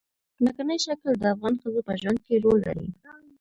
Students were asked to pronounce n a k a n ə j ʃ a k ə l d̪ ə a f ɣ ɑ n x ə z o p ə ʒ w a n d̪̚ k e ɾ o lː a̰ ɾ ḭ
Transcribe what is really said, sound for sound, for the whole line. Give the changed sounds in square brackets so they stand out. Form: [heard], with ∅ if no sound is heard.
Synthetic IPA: n a k a n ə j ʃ a k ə l d̪ ə a f ɣ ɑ n x ə z o p ə ʒ w a n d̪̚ k e ɾ o lː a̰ ɾ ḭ

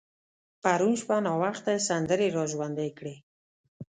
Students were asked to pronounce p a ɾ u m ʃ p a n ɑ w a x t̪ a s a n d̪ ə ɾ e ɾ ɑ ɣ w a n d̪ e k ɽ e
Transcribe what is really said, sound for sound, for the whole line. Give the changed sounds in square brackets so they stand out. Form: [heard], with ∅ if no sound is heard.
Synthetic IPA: p a ɾ u [n] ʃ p a n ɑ w a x t̪ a s a n d̪ ə ɾ e ɾ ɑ [ʒ] w a n d̪ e k ɽ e

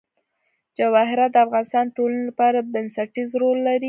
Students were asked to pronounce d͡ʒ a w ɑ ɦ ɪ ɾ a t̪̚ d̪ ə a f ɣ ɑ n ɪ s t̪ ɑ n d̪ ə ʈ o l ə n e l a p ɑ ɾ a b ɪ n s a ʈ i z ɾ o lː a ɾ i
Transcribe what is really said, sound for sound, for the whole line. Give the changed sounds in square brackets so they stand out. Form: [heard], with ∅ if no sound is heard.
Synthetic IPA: d͡ʒ a w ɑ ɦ ɪ ɾ a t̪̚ d̪ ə a f ɣ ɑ n ɪ s t̪ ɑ n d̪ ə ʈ o l [a] n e l a p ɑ ɾ a b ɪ n s a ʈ i z ɾ o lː a ɾ i

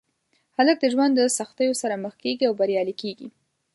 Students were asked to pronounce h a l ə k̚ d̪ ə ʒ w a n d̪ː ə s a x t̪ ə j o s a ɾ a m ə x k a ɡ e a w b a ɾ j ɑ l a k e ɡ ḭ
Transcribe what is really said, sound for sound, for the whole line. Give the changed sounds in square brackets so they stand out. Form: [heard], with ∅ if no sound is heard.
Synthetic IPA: h a l ə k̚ d̪ ə ʒ w a n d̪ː ə s a x t̪ ə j o s a ɾ a m ə x k [e] ɡ [i] a w b a ɾ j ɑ l [i] k e ɡ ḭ

